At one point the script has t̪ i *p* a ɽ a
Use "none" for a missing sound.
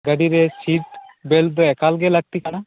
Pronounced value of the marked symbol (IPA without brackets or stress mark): k